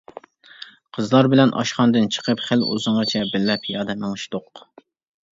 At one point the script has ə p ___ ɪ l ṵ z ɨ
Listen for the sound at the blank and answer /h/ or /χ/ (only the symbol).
χ